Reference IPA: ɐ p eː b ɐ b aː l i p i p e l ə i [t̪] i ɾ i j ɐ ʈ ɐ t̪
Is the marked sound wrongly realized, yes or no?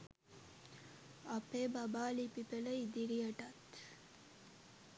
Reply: yes